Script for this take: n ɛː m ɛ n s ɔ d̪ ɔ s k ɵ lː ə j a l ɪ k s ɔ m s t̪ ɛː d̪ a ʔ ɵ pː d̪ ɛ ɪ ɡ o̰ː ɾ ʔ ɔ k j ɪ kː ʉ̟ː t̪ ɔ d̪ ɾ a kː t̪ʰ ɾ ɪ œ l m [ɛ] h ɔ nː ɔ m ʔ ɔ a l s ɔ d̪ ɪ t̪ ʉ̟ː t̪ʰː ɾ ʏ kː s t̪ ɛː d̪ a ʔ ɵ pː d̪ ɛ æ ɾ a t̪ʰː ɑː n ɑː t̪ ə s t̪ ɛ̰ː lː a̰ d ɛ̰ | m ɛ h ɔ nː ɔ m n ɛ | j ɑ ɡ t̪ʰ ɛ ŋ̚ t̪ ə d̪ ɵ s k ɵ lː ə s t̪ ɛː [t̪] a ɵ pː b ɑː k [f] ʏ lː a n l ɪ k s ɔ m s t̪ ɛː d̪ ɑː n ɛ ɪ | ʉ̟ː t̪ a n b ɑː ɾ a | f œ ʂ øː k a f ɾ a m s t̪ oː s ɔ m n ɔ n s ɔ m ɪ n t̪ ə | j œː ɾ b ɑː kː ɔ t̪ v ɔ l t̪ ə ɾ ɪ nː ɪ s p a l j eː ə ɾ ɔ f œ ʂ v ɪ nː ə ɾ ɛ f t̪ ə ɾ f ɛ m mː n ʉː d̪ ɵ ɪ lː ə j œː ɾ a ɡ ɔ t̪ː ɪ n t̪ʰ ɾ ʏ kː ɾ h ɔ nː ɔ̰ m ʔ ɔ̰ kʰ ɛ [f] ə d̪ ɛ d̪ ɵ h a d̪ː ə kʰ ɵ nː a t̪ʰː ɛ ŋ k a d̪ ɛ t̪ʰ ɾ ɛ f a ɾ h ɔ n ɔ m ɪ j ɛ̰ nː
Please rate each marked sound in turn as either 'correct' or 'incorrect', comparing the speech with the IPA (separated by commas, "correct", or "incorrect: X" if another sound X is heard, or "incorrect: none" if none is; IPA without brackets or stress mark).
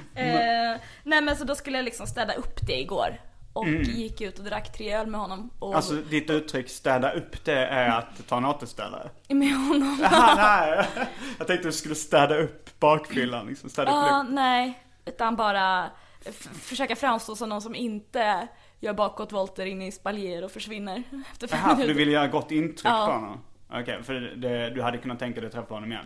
correct, incorrect: d̪, correct, correct